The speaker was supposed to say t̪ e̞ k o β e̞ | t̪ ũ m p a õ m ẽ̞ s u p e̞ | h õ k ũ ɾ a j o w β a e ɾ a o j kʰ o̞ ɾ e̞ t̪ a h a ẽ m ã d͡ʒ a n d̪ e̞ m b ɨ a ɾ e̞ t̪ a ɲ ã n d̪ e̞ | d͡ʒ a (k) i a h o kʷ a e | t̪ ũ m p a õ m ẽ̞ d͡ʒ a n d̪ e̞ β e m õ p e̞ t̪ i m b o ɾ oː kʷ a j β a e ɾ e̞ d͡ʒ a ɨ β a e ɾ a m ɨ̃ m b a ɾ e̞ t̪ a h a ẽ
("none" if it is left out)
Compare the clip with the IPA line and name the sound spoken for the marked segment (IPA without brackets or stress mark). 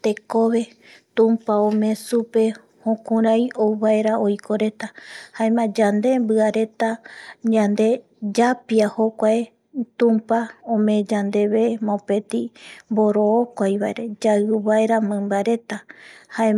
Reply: p